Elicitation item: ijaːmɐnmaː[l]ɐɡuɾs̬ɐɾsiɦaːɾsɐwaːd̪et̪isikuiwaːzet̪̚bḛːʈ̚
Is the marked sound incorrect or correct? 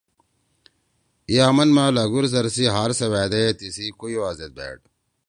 correct